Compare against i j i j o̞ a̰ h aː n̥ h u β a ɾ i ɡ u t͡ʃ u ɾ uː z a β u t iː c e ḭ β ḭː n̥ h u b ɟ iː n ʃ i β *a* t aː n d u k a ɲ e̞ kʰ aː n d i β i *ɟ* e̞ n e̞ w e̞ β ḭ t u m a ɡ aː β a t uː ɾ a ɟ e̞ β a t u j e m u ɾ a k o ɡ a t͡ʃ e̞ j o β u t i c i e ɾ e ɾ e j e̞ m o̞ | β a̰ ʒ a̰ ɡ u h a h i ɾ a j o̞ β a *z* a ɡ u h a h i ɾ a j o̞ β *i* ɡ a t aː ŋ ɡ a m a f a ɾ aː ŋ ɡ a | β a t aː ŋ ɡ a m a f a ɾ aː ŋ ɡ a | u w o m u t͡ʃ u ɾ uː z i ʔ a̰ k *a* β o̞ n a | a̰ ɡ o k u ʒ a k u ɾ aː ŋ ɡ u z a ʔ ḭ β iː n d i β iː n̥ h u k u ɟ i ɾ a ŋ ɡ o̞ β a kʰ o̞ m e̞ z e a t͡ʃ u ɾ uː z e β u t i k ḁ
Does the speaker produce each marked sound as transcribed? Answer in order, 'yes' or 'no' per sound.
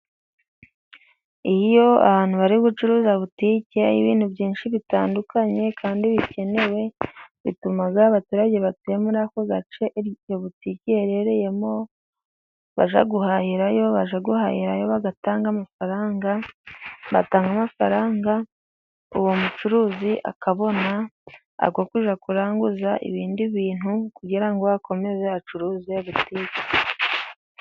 no, no, no, no, yes

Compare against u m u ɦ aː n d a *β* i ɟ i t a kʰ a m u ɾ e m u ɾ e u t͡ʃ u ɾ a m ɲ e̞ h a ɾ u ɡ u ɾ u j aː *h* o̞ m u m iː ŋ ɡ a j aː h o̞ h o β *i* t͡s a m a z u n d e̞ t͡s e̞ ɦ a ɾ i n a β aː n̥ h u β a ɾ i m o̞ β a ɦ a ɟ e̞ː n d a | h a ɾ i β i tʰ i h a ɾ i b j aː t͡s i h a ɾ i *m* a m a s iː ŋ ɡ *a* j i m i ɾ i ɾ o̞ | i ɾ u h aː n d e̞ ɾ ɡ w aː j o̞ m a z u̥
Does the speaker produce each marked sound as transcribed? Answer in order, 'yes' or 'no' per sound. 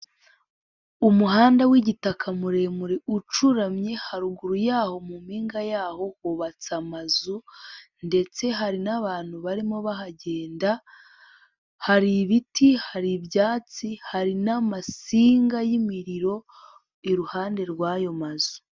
no, yes, no, no, yes

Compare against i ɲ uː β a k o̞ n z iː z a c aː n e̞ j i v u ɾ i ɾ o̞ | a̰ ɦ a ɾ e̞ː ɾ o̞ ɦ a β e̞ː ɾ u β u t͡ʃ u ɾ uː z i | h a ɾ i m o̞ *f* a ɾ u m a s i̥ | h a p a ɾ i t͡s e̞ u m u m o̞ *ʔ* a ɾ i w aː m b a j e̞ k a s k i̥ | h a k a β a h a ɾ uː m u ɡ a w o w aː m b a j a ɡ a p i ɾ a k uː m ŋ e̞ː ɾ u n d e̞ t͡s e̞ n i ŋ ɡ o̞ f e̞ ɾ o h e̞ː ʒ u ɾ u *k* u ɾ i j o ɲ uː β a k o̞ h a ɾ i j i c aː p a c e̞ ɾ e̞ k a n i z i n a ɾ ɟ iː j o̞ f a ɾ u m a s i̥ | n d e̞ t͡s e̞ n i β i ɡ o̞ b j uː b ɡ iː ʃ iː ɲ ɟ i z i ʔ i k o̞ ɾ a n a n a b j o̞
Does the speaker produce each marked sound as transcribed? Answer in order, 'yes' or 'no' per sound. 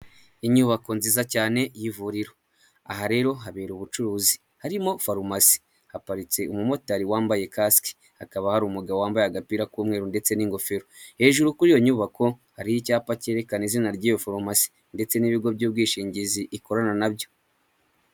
yes, no, yes

